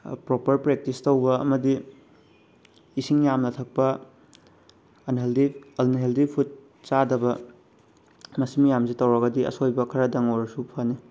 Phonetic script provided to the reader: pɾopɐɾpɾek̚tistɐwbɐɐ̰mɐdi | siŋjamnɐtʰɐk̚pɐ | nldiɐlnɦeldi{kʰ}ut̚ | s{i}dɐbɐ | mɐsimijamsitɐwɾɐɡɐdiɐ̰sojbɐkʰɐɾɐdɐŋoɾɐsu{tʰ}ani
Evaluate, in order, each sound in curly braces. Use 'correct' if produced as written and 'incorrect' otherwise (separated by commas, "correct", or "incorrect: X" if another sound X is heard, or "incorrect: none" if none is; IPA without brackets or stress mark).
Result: incorrect: pʰ, incorrect: a, incorrect: pʰ